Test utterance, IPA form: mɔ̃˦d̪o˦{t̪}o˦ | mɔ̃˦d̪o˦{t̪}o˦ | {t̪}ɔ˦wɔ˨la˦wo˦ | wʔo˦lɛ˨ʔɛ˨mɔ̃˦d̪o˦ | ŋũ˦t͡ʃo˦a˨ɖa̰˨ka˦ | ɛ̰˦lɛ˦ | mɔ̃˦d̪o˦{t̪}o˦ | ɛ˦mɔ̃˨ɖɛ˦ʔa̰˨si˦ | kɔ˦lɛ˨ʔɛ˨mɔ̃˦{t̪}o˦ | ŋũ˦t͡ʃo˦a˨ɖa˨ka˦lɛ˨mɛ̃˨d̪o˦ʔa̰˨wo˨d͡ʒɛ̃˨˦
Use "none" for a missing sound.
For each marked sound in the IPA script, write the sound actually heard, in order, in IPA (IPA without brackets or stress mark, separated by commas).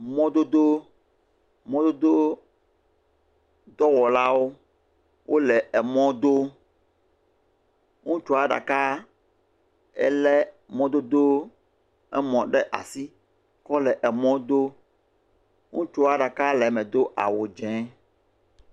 d̪, d̪, d̪, d̪, d̪